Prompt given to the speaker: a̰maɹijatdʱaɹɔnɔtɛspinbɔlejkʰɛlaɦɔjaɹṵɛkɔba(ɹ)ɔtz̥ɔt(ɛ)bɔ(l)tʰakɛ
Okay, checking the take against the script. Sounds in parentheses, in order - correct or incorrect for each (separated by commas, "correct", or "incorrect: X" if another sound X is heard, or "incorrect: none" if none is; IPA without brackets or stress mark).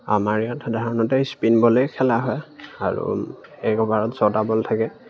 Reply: correct, incorrect: a, correct